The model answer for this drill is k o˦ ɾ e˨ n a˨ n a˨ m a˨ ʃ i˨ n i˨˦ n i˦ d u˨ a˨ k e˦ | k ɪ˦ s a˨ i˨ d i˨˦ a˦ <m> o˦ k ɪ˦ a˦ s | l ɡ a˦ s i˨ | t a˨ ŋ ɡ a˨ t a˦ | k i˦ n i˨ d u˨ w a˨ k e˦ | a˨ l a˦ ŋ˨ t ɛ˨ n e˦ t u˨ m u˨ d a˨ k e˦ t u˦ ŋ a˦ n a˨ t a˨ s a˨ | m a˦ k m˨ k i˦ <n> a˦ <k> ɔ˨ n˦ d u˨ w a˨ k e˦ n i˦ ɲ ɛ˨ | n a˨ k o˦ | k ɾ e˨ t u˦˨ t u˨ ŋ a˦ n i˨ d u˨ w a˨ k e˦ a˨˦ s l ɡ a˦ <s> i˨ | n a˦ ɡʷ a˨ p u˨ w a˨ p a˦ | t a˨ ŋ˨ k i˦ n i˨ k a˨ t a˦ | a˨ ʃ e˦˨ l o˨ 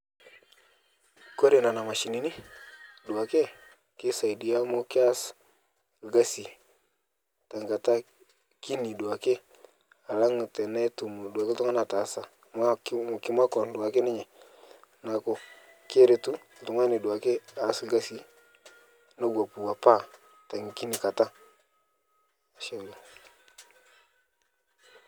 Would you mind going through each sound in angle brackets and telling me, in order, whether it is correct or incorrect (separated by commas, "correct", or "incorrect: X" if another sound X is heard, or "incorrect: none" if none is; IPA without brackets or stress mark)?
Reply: correct, incorrect: m, correct, correct